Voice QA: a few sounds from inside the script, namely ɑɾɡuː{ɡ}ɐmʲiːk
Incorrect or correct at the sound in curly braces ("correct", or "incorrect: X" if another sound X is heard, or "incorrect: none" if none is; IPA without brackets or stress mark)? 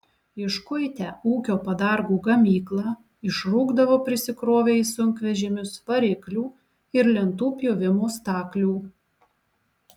correct